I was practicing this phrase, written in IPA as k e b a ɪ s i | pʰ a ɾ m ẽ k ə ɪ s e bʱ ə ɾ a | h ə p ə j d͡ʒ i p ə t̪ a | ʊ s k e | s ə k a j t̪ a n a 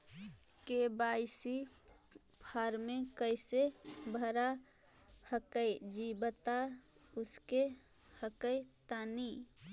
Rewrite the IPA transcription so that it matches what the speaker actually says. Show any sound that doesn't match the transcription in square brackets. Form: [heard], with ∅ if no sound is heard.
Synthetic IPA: k e b a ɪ s i | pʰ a ɾ m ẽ k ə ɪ s e bʱ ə ɾ a | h ə [k] ə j d͡ʒ i [b] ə t̪ a | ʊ s k e | [h] ə k [ə] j t̪ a n [i]